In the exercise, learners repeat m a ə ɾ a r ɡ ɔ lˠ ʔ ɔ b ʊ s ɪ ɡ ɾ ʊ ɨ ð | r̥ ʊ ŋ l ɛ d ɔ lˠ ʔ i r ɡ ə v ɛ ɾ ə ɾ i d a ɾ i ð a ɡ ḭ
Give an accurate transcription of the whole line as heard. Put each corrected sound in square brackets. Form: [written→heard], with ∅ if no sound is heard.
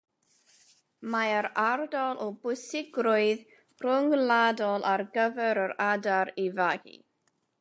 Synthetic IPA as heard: m a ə ɾ a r [ɡ→d] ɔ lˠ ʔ ɔ b ʊ s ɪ ɡ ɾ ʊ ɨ ð | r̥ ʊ ŋ l [ɛ→a] d ɔ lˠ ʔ [i→a] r ɡ ə v ɛ ɾ ə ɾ [i→a] d a ɾ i [ð→v] a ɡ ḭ